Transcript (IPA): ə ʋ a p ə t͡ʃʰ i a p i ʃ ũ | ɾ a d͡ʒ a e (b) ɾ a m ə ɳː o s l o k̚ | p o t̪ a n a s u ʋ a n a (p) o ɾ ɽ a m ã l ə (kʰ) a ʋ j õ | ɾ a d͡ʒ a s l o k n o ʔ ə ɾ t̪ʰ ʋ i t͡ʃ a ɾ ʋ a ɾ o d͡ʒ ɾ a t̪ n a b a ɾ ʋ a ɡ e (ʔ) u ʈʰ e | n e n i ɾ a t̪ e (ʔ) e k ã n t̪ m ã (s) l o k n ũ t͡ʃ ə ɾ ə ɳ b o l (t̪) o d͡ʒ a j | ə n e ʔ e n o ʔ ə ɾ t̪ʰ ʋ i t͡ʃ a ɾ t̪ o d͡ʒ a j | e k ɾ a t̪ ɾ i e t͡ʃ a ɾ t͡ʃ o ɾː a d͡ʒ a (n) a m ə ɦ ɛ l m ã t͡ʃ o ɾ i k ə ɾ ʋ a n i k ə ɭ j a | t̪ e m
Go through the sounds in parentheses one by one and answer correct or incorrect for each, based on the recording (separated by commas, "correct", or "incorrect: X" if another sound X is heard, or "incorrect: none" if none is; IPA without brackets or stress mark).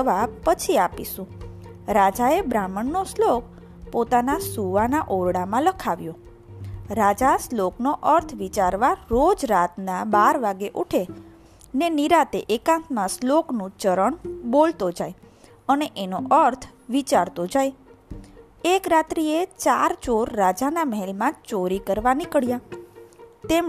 correct, incorrect: ʔ, correct, correct, correct, correct, correct, correct